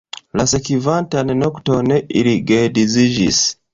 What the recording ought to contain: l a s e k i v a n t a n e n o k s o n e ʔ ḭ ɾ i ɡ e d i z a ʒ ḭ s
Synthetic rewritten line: l a s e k i v a n t a n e n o k t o n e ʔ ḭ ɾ i ɡ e d i z i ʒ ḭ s